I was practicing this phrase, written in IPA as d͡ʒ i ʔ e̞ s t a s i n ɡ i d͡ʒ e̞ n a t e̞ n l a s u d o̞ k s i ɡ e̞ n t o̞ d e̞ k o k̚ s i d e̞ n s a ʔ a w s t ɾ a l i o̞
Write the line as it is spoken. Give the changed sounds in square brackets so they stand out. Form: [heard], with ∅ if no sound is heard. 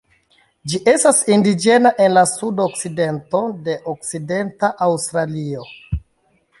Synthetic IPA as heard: d͡ʒ i ʔ e̞ s t a s i n [d] i d͡ʒ e̞ n a [ʔ] e̞ n l a s u d o̞ k s i [d] e̞ n t o̞ d e̞ [ʔ] o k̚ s i d e̞ n [t] a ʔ a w s t ɾ a l i o̞